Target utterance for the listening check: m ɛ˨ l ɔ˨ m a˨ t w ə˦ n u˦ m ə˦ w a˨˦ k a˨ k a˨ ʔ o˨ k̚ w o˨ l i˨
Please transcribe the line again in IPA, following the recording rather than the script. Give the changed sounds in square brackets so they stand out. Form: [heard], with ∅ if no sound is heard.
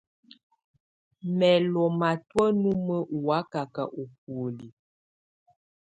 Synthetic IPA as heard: m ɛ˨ l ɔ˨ m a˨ t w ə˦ n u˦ m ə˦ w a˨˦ k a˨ k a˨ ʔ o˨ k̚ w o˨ l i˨